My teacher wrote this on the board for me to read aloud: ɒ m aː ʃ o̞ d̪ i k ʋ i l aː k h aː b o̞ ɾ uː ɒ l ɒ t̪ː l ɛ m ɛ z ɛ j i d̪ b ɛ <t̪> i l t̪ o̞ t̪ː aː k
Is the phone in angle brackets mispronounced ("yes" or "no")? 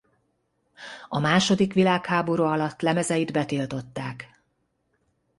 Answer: no